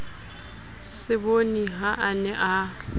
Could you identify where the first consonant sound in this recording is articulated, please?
alveolar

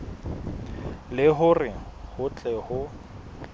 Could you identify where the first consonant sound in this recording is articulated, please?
alveolar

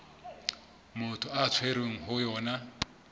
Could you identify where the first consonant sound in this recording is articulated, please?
labial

